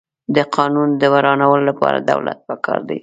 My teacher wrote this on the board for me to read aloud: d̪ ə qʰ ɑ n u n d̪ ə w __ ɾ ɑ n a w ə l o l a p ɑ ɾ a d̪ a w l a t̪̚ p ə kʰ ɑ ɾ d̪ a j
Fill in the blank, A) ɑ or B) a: B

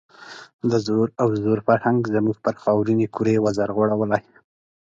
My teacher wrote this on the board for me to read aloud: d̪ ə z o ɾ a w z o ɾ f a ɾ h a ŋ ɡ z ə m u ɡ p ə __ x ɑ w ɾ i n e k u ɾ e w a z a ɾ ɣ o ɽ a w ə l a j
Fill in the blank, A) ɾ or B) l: A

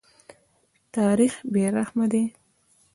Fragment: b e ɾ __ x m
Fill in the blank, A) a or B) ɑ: A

